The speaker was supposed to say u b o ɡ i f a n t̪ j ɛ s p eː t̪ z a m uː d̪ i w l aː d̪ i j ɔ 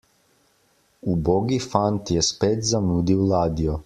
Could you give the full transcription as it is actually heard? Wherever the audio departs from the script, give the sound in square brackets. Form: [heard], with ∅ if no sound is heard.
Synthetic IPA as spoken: u b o ɡ i f a n t̪ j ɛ s p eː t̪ z a m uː d̪ i w l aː d̪ i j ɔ